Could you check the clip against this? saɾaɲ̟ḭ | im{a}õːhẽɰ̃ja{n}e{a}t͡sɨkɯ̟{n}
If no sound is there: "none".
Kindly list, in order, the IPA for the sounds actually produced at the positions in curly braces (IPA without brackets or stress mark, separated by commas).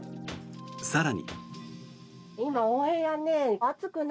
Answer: a, n, a, n